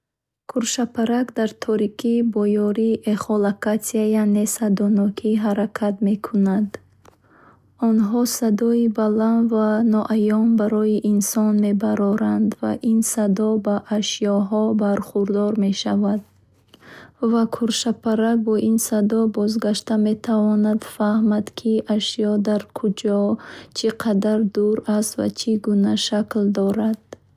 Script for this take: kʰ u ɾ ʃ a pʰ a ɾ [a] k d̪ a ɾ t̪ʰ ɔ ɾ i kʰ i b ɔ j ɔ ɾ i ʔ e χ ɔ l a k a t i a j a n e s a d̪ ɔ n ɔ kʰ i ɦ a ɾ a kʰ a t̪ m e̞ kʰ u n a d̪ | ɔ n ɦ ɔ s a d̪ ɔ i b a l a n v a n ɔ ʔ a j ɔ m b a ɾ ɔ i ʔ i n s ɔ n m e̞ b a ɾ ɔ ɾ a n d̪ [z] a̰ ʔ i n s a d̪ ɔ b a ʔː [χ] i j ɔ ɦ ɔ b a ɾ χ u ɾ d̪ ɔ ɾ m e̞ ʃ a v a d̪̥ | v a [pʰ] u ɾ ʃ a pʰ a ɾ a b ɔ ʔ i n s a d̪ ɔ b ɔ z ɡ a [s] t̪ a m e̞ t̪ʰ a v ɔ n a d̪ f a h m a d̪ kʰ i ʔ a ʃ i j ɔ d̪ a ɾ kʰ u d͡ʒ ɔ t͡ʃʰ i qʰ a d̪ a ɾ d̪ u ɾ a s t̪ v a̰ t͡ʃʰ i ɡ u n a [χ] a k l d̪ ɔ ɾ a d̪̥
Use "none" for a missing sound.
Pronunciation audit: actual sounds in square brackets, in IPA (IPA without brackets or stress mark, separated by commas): a, v, ʃ, kʰ, ʃ, ʃ